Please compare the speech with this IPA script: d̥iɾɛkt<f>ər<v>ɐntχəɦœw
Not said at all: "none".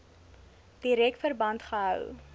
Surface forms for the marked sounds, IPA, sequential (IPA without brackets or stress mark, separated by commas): f, b